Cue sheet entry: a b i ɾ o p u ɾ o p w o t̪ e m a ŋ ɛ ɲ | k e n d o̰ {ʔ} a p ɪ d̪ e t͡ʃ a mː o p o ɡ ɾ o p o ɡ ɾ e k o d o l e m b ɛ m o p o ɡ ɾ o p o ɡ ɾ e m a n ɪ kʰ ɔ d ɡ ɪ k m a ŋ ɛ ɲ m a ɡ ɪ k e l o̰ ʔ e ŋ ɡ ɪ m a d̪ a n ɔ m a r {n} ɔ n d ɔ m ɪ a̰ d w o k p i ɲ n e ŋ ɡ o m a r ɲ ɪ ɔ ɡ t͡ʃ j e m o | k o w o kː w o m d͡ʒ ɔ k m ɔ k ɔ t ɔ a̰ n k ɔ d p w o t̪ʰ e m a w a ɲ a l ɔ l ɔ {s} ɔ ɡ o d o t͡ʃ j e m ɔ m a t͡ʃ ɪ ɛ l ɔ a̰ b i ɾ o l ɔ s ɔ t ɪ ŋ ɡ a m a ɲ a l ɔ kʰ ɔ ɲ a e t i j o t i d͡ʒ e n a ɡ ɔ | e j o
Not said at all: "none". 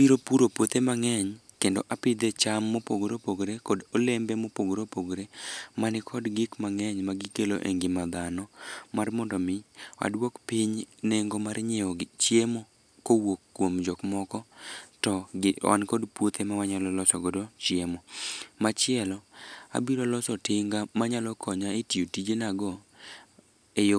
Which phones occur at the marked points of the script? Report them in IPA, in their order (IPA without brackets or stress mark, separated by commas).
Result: ʔ, m, s